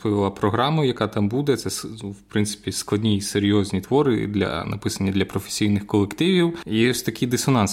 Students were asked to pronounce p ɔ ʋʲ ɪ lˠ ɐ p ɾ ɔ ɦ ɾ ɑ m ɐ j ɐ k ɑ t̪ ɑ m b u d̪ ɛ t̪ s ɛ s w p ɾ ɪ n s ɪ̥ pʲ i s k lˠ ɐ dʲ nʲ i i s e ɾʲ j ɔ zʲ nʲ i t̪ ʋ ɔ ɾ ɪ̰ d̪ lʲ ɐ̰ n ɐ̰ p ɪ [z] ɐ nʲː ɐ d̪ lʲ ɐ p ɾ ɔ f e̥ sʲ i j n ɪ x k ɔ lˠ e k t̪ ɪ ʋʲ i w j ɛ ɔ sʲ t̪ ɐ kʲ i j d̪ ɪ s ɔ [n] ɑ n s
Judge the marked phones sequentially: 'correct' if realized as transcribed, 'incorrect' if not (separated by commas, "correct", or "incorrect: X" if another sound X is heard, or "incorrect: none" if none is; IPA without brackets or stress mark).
incorrect: s, correct